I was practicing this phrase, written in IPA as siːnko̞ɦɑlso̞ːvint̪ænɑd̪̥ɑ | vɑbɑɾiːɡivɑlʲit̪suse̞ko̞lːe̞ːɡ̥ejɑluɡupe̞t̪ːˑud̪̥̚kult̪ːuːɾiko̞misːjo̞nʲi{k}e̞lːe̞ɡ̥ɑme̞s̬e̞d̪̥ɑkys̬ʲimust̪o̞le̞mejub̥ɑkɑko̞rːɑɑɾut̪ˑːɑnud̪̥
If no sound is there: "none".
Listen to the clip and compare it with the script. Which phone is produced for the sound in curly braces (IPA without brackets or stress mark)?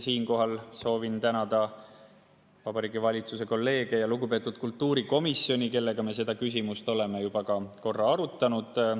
k